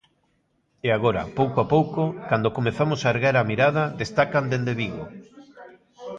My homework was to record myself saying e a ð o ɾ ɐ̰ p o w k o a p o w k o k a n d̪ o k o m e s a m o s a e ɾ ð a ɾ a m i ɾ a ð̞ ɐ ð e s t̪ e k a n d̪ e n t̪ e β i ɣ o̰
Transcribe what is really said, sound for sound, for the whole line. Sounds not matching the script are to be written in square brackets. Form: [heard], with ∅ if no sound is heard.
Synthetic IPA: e a [ɣ] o ɾ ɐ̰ p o w k o a p o w k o k a n d̪ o k o m e [θ] a m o s a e ɾ [ɣ] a ɾ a m i ɾ a ð̞ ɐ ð e s t̪ [a] k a n d̪ e n [d̪] e β i ɣ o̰